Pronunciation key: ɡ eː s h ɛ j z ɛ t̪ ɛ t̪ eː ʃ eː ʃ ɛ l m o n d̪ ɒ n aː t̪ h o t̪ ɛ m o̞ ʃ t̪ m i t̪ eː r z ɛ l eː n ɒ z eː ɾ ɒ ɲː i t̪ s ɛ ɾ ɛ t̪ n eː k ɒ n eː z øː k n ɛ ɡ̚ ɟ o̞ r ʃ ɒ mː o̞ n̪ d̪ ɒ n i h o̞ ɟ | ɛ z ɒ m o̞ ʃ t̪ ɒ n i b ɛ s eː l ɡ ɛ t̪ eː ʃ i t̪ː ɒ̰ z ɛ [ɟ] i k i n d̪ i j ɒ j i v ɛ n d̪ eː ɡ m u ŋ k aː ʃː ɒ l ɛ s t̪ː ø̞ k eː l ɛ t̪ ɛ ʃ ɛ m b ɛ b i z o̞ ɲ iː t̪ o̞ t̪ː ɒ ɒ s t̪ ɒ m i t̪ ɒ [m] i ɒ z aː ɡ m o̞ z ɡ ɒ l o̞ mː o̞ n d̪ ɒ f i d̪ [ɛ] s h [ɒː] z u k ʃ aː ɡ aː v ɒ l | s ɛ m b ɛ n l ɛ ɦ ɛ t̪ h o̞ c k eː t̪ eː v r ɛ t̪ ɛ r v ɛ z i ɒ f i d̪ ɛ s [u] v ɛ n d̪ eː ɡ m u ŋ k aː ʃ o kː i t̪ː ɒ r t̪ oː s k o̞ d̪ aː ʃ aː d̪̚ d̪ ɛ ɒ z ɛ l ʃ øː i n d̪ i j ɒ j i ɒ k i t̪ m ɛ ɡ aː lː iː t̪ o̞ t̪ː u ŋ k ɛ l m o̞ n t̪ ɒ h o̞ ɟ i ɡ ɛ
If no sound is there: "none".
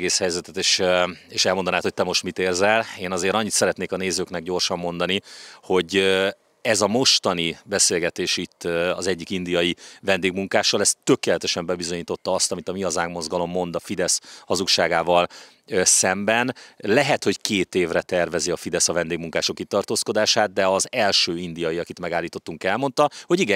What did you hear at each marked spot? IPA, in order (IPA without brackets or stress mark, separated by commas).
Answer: ɟː, m, ɛ, ɒ, ɒ